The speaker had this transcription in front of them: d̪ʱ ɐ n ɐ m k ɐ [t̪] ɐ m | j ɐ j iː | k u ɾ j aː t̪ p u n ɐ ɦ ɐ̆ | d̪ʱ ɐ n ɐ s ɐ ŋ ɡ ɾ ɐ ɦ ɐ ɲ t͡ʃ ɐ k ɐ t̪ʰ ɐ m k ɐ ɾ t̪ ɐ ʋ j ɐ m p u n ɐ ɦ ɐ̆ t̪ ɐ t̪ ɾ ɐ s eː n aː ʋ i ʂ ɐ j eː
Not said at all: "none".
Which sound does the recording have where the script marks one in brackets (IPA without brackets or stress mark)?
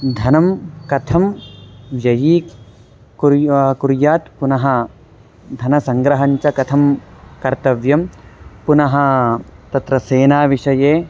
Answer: t̪ʰ